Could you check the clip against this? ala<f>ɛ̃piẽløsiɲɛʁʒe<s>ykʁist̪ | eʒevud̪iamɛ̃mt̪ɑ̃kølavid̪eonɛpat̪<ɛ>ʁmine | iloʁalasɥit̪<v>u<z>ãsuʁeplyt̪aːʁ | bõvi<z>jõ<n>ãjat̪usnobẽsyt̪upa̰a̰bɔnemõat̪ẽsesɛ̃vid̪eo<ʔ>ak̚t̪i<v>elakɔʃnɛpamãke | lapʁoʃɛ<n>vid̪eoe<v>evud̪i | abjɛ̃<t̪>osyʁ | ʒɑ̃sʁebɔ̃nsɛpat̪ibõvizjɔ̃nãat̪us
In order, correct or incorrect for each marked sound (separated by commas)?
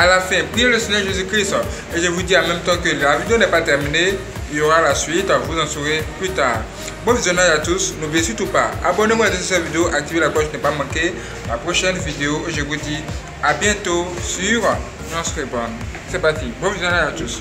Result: correct, incorrect, correct, correct, correct, correct, correct, correct, correct, correct, incorrect, correct